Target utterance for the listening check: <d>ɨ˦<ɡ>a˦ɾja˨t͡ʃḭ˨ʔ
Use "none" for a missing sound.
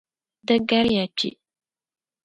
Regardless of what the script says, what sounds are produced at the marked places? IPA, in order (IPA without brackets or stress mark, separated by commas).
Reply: d, ɡ